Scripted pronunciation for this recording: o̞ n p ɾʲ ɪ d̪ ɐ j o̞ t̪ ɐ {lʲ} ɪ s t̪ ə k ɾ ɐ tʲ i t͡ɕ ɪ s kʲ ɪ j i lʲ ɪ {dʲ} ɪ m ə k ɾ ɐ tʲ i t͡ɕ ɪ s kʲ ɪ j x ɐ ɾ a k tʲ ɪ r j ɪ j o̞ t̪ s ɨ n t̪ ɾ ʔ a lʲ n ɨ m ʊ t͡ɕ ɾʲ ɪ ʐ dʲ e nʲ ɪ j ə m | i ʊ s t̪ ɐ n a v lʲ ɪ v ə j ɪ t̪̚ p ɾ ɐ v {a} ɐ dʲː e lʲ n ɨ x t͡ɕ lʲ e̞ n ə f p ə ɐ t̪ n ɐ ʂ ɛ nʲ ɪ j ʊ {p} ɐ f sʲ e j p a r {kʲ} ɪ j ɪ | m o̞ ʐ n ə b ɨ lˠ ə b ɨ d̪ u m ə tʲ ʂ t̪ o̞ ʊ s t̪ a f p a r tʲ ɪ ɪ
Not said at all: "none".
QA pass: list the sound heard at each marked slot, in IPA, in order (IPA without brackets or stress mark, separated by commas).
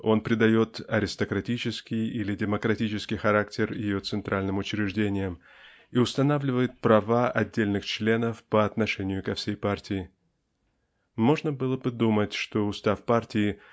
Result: ɾʲ, dʲ, a, k, tʲ